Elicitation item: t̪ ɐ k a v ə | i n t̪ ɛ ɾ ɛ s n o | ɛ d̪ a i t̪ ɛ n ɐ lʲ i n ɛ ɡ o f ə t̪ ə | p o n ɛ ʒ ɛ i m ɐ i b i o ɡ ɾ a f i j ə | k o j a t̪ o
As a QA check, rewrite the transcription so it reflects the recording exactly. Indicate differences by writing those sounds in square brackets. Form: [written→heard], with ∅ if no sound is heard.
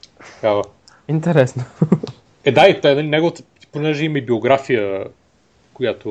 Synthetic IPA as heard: t̪ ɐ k a v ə | i n t̪ ɛ ɾ ɛ s n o | ɛ d̪ a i t̪ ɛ n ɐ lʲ i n ɛ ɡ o [f→v] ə t̪ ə | p o n ɛ ʒ ɛ i m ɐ i b i o ɡ ɾ a f i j ə | k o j a t̪ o